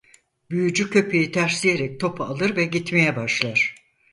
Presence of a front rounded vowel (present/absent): present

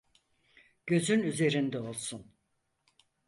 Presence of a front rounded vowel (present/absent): present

